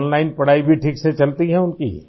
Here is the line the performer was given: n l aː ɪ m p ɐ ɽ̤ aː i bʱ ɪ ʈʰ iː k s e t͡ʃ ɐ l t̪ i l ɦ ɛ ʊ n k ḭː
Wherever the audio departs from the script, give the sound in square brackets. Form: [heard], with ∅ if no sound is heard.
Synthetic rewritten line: n l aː ɪ [n] p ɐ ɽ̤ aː i bʱ [i] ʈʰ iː k s e t͡ʃ ɐ l t̪ i [∅] ɦ ɛ ʊ n k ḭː